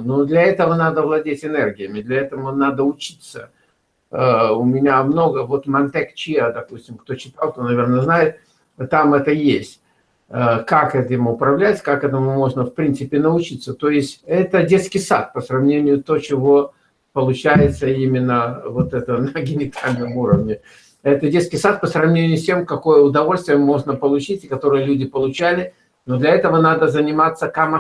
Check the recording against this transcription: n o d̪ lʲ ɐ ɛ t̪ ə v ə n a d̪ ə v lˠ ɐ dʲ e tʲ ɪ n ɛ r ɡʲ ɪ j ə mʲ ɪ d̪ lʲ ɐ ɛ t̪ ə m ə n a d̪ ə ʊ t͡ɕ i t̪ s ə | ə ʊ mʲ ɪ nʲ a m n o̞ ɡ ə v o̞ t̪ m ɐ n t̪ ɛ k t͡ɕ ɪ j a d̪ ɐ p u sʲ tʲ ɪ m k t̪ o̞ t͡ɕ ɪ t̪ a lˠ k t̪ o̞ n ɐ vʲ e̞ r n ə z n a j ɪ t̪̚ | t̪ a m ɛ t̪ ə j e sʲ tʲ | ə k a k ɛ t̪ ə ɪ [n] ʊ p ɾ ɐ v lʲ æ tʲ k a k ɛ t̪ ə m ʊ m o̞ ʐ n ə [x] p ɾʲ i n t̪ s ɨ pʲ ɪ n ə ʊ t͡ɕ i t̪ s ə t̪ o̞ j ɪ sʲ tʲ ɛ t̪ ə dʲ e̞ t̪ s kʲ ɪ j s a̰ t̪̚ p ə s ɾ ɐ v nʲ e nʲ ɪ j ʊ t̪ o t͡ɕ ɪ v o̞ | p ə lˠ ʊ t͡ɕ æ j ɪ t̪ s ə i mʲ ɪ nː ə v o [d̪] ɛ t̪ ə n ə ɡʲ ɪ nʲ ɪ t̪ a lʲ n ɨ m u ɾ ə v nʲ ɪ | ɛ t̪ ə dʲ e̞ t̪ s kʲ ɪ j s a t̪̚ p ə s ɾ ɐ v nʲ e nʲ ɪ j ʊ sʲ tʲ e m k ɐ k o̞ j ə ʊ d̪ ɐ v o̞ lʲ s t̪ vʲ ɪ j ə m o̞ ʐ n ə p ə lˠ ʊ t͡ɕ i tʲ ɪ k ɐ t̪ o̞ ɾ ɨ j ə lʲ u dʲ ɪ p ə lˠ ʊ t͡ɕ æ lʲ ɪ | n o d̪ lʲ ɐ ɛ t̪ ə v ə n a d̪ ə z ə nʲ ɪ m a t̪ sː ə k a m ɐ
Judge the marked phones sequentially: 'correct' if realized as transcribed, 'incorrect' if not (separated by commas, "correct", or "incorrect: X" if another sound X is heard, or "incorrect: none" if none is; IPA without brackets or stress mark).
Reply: incorrect: m, incorrect: f, incorrect: t̪